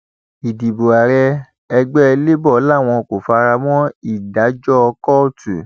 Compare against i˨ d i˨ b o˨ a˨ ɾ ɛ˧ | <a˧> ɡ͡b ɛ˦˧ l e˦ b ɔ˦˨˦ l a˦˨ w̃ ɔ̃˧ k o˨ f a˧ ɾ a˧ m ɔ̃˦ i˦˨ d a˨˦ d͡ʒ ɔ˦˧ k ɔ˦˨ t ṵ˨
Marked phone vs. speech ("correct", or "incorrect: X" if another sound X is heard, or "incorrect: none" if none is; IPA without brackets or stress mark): incorrect: ɛ˧